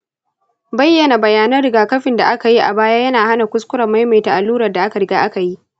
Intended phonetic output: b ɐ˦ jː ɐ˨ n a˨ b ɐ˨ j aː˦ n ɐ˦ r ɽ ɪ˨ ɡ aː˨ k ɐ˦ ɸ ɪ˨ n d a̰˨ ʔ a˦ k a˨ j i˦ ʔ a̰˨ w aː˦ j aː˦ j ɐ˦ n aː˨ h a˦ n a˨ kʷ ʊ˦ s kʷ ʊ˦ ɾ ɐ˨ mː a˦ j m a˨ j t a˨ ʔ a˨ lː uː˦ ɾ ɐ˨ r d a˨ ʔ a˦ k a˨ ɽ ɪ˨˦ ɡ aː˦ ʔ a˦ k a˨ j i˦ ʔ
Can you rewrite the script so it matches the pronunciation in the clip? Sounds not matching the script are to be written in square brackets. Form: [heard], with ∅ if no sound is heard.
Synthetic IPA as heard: b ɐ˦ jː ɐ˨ n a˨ b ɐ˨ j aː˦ n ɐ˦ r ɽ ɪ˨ ɡ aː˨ k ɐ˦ ɸ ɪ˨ n d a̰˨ ʔ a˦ k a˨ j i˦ ʔ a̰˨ [b] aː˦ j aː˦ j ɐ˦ n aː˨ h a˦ n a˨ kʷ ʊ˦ s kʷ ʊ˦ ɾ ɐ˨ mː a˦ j m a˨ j t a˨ ʔ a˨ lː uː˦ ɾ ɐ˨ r d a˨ ʔ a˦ k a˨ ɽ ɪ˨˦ ɡ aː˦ ʔ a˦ k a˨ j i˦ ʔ